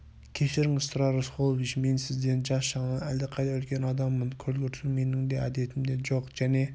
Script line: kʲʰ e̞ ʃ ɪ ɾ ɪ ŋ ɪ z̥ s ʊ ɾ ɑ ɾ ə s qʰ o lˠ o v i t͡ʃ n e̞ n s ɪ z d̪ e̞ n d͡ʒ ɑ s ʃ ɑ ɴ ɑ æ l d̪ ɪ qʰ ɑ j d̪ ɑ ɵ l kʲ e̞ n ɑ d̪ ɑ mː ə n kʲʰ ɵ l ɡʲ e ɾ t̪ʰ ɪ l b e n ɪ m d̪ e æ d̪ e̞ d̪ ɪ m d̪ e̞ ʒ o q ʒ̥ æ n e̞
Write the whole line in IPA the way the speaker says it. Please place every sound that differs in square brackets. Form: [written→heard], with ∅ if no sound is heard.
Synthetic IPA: kʲʰ e̞ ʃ ɪ ɾ ɪ ŋ ɪ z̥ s ʊ ɾ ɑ ɾ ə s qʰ o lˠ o v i t͡ʃ [n→m] e̞ n s ɪ z d̪ e̞ n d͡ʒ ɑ s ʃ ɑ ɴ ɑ æ l d̪ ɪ qʰ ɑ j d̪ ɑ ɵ l kʲ e̞ n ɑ d̪ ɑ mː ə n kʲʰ ɵ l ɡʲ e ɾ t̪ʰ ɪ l [b→m] e n ɪ [m→ŋ] d̪ e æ d̪ e̞ [d̪→t̪] ɪ m d̪ e̞ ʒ o q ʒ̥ æ n e̞